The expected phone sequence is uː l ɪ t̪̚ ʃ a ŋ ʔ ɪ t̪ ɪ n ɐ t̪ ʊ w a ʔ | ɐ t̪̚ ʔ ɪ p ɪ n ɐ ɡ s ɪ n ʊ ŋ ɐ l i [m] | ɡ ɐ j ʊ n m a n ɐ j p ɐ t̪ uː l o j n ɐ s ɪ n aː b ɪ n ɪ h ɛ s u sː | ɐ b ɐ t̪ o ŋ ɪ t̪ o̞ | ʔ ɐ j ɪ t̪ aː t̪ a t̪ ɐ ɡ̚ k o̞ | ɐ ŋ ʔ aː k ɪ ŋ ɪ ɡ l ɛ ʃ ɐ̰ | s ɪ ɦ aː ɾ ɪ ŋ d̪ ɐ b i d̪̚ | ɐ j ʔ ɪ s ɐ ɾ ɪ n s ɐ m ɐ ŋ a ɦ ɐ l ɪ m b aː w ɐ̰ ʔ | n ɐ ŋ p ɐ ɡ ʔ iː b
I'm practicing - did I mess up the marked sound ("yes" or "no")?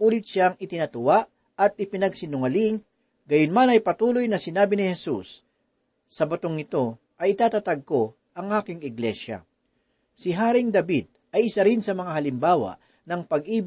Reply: yes